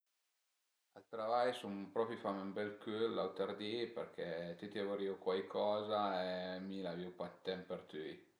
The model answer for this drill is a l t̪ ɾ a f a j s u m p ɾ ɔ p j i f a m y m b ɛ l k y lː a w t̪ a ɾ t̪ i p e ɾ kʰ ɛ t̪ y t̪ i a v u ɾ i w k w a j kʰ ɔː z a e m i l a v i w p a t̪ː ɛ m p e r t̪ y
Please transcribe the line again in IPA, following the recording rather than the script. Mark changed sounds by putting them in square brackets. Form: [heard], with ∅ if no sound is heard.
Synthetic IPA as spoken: a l t̪ ɾ a [v] a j s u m p ɾ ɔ p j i f a m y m b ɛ l k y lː a w t̪ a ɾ [d̪] i p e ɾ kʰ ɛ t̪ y t̪ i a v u ɾ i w k w a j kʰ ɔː z a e m i l a v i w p a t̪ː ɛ m p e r t̪ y